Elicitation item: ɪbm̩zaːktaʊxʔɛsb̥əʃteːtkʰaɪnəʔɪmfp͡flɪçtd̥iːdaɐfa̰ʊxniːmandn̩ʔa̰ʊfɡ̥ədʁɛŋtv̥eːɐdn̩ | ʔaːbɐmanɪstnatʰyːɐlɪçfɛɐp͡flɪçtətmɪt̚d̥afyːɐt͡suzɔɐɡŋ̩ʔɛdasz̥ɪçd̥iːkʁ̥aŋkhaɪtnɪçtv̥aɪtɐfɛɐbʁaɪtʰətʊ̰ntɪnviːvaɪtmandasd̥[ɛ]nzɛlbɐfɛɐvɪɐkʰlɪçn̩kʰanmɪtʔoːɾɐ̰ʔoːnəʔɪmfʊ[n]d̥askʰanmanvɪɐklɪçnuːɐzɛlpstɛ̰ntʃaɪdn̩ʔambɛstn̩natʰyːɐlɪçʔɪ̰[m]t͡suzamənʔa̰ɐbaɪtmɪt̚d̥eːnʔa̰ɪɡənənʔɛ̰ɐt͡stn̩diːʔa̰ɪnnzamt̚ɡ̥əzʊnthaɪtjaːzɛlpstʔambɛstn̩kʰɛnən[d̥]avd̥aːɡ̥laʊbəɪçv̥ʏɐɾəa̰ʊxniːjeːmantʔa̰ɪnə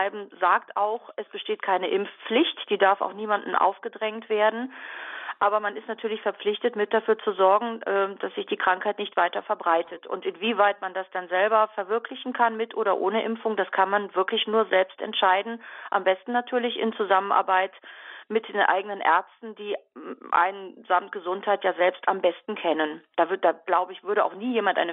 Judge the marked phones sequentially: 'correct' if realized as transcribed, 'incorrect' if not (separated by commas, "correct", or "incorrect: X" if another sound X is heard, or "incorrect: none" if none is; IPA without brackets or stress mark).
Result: incorrect: a, incorrect: ŋ, incorrect: n, correct